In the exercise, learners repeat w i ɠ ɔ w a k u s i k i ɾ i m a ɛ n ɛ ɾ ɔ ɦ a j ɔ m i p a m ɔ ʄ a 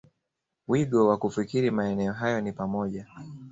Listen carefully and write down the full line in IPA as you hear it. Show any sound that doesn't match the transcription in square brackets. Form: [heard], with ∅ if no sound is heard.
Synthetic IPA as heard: w i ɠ ɔ w a k u [f] i k i ɾ i m a ɛ n ɛ [∅] ɔ ɦ a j ɔ [n] i p a m ɔ ʄ a